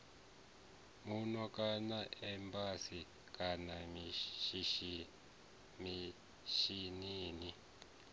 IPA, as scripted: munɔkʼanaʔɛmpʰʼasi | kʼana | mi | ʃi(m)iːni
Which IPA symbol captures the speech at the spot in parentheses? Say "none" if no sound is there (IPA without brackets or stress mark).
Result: n